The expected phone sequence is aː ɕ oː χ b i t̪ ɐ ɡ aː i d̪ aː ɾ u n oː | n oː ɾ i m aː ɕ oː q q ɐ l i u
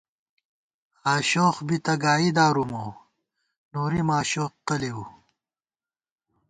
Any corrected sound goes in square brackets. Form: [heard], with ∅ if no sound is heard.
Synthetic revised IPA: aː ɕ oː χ b i t̪ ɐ ɡ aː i d̪ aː ɾ u [m] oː | n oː ɾ i m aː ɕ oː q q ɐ l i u

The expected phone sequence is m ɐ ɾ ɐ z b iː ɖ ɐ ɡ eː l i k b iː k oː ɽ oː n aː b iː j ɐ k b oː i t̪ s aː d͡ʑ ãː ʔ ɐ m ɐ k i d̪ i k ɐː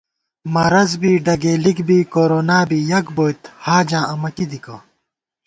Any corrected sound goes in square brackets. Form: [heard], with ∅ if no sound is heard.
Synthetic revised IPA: m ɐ ɾ ɐ z b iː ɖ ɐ ɡ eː l i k b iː k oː [ɾ] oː n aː b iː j ɐ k b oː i t̪ [h] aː d͡ʑ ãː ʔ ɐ m ɐ k i d̪ i k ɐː

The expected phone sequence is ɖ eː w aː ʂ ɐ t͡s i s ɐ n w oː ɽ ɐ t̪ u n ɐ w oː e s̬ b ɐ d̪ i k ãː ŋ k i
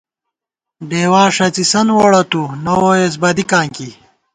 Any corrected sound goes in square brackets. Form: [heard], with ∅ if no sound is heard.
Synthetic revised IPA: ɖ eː w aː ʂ ɐ t͡s i s ɐ n w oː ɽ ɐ t̪ u n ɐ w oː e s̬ b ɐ d̪ i k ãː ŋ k i

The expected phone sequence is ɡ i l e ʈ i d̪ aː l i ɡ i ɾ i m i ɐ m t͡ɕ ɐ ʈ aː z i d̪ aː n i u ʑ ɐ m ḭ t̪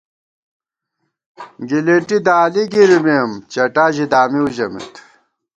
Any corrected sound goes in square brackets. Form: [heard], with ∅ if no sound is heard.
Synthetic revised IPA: ɡ i l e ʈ i d̪ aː l i ɡ i ɾ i m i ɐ m t͡ɕ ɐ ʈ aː [ʑ] i d̪ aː [m] i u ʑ ɐ m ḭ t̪

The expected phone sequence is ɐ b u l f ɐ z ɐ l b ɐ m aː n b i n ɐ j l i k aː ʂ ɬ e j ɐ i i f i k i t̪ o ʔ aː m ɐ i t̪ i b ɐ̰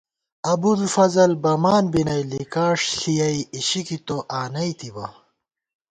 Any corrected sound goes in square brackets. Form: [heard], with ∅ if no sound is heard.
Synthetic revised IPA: ɐ b u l f ɐ z ɐ l b ɐ m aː n b i n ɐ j l i k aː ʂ ɬ [i] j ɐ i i [ɕ] i k i t̪ o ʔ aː [n] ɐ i t̪ i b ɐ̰

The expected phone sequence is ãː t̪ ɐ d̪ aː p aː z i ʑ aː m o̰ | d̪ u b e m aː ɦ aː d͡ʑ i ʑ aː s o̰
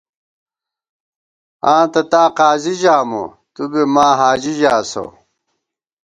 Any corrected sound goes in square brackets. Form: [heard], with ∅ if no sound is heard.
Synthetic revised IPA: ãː t̪ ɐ [t̪] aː [q] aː z i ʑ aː m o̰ | [t̪] u b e m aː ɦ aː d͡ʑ i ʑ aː s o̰

